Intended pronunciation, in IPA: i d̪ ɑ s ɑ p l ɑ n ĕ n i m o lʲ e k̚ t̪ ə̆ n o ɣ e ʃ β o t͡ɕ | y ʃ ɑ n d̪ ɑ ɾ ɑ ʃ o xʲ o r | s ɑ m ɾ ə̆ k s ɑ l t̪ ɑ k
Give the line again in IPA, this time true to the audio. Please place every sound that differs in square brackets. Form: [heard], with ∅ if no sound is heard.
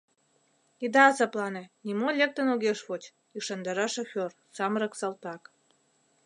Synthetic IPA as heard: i d̪ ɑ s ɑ p l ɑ n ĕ n i m o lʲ e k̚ t̪ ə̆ n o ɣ e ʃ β o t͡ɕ | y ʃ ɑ n d̪ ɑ ɾ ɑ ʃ o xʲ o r | s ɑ m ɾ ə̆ k s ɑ l t̪ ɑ k